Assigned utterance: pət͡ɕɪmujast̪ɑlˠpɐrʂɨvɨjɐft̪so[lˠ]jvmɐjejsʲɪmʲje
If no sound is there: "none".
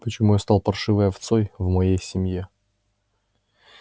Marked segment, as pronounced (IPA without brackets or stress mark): none